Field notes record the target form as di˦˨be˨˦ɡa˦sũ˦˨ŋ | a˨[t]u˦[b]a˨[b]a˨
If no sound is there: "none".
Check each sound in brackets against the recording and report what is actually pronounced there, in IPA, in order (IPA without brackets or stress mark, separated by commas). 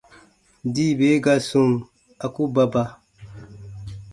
k, b, b